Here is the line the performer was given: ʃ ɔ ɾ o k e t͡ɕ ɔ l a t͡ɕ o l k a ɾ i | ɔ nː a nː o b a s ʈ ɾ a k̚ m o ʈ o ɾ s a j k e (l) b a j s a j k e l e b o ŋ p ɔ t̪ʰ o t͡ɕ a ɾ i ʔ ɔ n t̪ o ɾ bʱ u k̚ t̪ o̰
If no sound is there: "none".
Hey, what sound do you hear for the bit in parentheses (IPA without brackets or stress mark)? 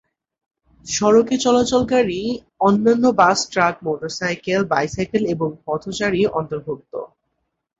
l